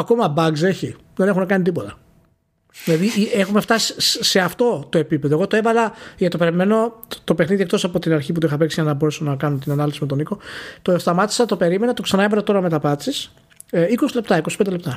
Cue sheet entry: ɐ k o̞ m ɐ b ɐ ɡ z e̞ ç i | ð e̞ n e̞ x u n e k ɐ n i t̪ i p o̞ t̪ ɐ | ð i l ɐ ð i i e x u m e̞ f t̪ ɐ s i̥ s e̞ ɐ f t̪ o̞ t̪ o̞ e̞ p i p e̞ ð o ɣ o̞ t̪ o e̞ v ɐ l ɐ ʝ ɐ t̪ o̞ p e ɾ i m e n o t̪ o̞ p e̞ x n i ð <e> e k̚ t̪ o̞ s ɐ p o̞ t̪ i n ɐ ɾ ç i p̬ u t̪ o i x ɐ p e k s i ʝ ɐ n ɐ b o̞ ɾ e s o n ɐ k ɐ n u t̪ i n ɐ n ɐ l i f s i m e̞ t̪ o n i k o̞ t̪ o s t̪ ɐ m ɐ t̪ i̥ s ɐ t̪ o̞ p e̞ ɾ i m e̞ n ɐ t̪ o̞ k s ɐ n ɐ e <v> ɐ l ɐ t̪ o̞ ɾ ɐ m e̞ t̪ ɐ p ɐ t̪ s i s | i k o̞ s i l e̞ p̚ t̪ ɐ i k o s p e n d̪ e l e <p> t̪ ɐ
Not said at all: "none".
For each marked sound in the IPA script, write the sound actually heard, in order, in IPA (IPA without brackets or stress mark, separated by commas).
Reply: i, v, p